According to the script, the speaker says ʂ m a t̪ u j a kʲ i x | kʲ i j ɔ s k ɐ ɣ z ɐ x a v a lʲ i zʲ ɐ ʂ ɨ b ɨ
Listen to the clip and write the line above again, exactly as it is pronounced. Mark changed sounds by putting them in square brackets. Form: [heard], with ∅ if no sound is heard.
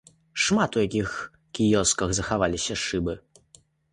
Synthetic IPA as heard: ʂ m a t̪ u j a kʲ i x | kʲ i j ɔ s k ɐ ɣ z ɐ x a v a lʲ i [sʲ] ɐ ʂ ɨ b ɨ